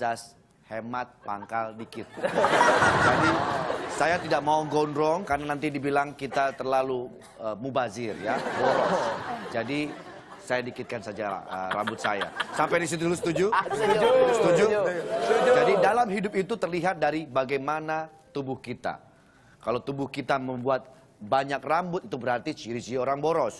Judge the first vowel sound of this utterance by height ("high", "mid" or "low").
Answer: low